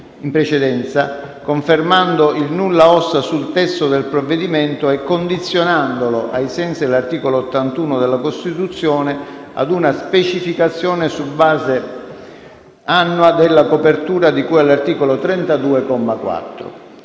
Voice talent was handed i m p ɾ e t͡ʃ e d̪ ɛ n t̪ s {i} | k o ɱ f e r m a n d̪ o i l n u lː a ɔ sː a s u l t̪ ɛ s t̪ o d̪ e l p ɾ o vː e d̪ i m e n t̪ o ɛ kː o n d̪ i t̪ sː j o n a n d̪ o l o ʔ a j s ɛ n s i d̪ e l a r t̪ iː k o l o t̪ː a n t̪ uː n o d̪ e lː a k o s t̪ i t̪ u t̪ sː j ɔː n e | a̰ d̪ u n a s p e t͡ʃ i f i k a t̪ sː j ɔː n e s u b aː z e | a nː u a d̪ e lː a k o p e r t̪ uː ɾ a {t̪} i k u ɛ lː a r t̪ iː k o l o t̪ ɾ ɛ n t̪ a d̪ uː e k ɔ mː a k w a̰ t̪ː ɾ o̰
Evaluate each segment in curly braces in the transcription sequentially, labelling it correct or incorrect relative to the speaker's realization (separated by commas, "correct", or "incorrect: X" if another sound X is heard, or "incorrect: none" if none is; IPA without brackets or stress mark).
incorrect: a, incorrect: d̪